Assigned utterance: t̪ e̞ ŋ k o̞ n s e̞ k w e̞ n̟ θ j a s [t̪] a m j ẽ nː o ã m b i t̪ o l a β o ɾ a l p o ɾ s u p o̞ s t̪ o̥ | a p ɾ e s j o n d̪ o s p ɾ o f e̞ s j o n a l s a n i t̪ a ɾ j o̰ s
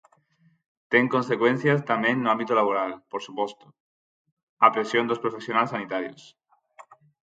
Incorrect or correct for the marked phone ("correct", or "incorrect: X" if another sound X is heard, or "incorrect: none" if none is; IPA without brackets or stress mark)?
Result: correct